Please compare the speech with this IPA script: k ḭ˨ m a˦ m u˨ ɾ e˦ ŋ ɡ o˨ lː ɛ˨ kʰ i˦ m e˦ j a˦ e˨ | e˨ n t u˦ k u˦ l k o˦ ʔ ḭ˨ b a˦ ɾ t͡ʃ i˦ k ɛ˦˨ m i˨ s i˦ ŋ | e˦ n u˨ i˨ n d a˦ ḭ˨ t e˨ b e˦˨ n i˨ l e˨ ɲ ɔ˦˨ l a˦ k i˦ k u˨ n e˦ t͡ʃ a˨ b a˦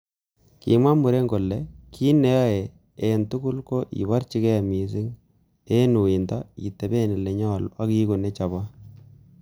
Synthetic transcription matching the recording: k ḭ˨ m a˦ m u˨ ɾ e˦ ŋ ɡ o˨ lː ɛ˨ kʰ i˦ n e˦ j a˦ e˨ | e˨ n t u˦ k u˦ l k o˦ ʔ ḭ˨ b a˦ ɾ t͡ʃ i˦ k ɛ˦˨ m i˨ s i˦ ŋ | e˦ n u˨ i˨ n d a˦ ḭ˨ t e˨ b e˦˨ n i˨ l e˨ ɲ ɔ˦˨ l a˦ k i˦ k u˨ n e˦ t͡ʃ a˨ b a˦